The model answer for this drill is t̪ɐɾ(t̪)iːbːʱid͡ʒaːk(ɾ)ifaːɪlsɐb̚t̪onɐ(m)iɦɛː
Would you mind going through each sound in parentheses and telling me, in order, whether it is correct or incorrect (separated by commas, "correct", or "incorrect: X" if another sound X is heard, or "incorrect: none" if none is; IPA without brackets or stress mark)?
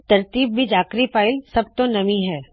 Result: correct, correct, correct